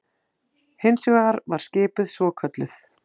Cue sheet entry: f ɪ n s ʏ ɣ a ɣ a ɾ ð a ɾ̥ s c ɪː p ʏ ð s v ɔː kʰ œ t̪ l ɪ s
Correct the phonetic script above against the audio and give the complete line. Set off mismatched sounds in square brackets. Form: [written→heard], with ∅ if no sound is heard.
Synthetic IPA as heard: [f→h] ɪ n s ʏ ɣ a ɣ a ɾ [ð→v] a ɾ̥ s c ɪː p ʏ ð s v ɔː kʰ œ t̪ l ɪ [s→θ]